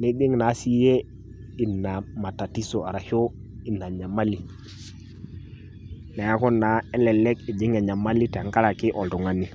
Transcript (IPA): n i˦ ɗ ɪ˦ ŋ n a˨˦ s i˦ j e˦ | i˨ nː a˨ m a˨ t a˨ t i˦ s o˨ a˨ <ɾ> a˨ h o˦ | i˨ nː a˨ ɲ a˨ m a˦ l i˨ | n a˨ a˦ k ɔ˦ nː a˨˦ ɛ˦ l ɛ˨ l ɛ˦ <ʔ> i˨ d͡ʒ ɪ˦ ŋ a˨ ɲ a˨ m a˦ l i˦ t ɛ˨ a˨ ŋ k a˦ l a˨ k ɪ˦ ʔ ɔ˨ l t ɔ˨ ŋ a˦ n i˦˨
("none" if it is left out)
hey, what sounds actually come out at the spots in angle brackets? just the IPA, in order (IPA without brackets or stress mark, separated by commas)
ɾ, k